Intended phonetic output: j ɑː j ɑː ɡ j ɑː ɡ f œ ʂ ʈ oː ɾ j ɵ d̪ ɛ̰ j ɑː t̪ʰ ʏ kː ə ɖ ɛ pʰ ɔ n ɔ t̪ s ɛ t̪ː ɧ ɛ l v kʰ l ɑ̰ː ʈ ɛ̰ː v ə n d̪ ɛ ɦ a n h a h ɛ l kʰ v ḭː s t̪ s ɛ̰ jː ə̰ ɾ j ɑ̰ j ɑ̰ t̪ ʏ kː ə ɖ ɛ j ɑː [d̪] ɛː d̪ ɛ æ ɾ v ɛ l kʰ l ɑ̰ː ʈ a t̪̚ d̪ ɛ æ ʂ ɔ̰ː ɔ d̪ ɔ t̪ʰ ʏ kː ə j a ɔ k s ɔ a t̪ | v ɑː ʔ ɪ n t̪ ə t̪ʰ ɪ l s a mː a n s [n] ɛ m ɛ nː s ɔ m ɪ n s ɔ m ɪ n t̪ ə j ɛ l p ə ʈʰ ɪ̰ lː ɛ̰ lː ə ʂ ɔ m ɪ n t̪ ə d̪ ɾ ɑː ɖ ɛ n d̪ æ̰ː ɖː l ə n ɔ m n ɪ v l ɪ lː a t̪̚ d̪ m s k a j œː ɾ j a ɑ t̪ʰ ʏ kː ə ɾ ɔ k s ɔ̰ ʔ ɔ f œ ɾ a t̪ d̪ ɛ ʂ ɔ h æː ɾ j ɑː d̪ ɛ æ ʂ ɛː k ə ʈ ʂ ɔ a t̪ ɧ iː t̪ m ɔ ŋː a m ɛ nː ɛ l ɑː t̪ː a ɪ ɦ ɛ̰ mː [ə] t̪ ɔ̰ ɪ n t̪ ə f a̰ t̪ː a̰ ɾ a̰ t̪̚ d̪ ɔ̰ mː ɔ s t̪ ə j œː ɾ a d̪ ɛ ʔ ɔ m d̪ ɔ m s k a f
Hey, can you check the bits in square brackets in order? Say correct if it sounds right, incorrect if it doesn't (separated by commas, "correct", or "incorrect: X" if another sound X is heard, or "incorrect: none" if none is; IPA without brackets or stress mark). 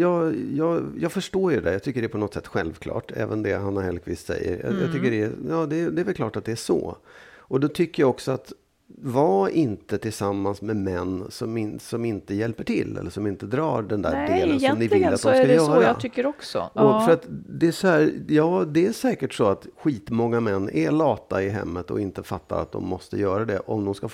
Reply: correct, incorrect: m, correct